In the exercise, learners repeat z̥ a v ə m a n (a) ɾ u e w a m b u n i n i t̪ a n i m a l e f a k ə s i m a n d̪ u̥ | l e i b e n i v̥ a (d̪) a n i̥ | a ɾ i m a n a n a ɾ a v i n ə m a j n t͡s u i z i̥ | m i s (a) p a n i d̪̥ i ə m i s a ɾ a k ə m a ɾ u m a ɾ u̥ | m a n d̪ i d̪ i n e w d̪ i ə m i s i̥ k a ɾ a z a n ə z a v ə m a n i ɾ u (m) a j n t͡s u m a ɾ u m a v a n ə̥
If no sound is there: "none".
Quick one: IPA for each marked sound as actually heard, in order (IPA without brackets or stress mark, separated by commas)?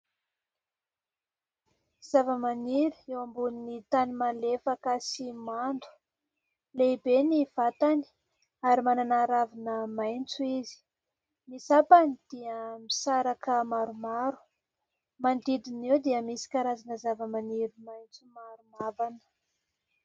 i, t̪, a, m